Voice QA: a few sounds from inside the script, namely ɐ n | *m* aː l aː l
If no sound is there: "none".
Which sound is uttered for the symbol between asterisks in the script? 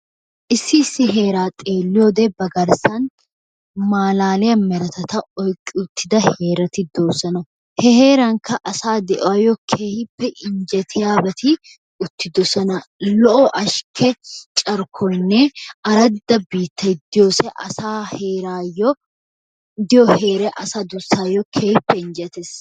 m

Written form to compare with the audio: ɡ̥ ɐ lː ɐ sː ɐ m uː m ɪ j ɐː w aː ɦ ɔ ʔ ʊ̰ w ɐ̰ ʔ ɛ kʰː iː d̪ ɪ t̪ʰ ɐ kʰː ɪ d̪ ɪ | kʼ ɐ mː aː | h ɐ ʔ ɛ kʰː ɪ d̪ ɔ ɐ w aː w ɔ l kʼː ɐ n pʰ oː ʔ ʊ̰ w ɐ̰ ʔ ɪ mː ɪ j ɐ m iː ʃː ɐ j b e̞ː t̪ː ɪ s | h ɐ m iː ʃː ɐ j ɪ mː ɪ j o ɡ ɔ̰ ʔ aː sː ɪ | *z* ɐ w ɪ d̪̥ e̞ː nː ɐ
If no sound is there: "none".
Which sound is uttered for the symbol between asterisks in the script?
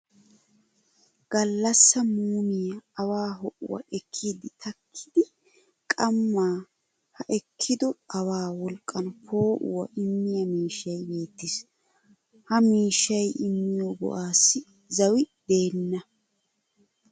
z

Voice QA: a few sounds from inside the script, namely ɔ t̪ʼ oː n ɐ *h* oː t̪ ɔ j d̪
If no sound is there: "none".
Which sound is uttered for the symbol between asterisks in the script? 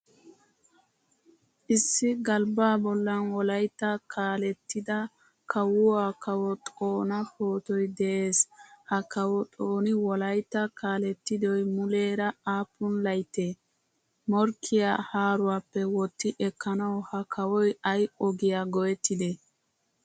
h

